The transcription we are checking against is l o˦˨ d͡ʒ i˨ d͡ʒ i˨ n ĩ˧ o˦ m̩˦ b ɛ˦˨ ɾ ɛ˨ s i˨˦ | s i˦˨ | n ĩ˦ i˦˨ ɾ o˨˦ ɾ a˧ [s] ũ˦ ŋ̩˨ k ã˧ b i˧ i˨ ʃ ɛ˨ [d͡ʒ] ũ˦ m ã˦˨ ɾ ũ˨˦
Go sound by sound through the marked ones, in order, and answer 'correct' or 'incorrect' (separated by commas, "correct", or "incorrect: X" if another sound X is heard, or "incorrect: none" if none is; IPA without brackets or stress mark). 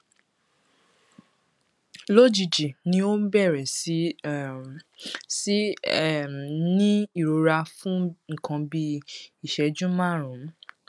incorrect: f, correct